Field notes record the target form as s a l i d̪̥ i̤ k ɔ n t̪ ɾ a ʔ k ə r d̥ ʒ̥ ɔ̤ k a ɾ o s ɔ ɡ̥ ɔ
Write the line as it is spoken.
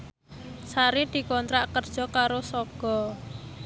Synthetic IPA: s a ɾ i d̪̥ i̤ k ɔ n t̪ ɾ a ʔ k ə r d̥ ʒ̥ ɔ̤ k a ɾ o s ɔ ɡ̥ ɔ